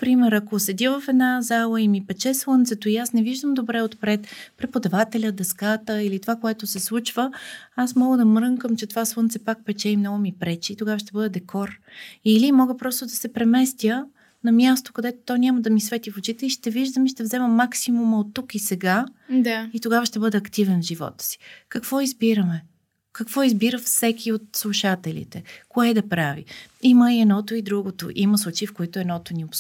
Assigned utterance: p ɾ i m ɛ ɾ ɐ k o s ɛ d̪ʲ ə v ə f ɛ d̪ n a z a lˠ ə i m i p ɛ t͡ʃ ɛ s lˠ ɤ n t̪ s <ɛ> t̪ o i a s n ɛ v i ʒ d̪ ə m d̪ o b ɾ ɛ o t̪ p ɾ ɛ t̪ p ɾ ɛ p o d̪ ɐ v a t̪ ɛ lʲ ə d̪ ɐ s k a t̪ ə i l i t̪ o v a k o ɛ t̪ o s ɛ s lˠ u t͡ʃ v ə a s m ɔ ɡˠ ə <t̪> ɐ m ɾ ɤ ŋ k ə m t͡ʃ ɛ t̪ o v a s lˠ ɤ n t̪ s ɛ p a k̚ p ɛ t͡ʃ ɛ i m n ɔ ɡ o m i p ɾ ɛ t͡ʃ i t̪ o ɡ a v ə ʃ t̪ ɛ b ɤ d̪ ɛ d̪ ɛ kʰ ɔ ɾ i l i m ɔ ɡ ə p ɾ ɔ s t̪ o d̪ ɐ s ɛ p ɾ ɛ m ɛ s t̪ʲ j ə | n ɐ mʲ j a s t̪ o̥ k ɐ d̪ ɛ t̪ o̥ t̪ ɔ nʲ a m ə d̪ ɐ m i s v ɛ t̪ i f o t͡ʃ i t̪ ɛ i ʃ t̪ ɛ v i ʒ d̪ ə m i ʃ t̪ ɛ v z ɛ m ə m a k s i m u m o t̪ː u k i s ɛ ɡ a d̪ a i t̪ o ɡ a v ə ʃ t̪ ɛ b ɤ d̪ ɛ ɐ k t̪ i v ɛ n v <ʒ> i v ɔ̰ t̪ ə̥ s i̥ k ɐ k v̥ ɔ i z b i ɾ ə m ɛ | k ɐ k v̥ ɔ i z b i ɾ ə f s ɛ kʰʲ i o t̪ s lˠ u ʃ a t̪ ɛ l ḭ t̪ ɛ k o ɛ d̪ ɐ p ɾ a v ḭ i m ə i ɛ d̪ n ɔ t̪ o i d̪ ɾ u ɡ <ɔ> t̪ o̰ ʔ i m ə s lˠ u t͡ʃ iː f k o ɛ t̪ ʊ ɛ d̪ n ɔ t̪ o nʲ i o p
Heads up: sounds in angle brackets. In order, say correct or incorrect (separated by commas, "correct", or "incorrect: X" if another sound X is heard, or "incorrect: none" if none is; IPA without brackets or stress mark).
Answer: correct, incorrect: d̪, correct, incorrect: o